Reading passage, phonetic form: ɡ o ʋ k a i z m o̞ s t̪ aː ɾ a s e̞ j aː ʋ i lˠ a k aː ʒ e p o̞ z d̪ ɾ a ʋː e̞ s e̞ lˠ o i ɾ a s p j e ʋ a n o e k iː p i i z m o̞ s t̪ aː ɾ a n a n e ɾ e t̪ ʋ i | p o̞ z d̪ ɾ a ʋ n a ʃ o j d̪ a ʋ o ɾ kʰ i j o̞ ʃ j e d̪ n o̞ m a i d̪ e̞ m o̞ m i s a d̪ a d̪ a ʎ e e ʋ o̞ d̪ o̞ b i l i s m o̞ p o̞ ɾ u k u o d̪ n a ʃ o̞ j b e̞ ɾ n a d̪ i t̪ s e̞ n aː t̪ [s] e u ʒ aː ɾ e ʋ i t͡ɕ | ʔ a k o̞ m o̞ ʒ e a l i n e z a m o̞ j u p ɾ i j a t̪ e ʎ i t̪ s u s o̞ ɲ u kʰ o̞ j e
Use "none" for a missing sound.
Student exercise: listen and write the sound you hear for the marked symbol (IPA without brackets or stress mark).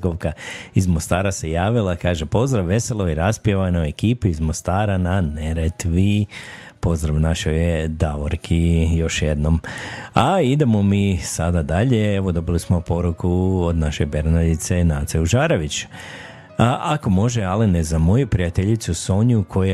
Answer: s